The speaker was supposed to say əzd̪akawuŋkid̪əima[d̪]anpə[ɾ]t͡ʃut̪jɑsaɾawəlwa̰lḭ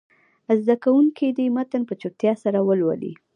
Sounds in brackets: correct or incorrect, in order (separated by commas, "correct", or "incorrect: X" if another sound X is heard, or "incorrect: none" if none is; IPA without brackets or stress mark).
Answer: incorrect: t̪, incorrect: none